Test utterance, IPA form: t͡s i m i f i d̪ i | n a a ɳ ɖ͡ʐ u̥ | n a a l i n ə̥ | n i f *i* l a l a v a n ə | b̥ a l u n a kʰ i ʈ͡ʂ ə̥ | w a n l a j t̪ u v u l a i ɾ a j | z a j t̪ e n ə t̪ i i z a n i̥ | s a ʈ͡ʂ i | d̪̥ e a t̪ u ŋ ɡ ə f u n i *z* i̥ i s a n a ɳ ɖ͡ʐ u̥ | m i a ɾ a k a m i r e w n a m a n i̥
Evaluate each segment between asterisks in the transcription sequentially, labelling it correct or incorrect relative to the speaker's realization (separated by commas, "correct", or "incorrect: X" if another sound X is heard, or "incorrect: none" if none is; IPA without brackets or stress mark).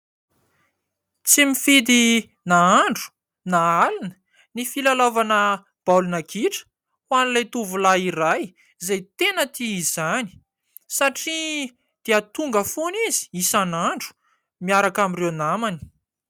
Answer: correct, correct